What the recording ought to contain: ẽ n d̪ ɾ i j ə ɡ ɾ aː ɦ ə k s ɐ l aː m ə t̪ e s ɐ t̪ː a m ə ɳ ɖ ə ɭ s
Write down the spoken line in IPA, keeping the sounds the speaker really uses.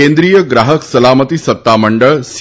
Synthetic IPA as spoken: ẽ n d̪ ɾ i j ə ɡ ɾ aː ɦ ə k s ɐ l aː m ə t̪ i s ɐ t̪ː a m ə ɳ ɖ ə ɭ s